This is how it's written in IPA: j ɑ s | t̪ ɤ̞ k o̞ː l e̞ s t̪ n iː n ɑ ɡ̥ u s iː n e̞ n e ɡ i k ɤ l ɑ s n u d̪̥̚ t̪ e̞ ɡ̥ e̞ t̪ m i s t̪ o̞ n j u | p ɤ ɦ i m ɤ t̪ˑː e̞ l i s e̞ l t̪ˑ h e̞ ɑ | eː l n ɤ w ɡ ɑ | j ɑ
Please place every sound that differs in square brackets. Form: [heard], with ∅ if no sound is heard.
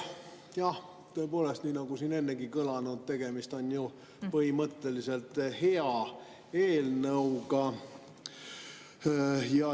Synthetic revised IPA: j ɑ [h] | t̪ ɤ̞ [p] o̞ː l e̞ s t̪ n iː n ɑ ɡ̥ u s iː n e̞ [nː] e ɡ i k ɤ l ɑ [∅] n u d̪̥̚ t̪ e̞ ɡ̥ e̞ [∅] m i s t̪ o̞ n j u | p ɤ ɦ i m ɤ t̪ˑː e̞ l i s e̞ l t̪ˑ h e̞ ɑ | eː l n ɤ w ɡ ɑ | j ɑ

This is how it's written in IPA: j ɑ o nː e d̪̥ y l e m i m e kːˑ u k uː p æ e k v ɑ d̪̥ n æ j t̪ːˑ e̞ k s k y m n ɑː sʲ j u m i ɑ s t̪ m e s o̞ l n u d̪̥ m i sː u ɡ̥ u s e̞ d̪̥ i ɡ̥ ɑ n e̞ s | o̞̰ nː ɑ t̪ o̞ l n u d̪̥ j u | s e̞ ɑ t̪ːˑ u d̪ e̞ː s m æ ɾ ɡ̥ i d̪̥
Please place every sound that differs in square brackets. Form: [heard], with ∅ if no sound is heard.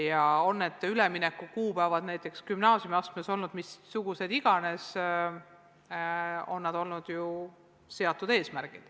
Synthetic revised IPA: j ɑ o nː e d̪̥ y l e m i [n] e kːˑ u k uː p æ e [∅] v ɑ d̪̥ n æ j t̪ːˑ e̞ k s k y m n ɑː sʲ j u m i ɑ s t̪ m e s o̞ l n u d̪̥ m i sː u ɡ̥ u s e̞ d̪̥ i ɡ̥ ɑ n e̞ s | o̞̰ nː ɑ [d̪] o̞ l n u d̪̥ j u | s e̞ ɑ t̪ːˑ u d̪ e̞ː s m æ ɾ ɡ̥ i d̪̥

